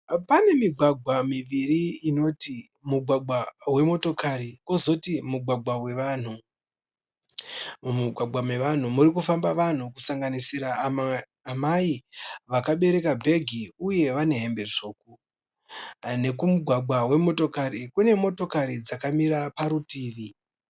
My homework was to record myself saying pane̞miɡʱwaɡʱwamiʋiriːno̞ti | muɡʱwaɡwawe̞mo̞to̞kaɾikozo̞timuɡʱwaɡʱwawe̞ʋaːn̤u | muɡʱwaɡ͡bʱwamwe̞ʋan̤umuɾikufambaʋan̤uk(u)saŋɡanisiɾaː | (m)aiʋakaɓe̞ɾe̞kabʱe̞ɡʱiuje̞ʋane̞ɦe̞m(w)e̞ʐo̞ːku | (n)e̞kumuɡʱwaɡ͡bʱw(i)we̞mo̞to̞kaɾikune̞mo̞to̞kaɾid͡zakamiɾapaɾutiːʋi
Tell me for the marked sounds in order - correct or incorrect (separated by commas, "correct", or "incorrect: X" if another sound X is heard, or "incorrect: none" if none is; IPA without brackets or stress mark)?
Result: correct, correct, incorrect: b, correct, incorrect: a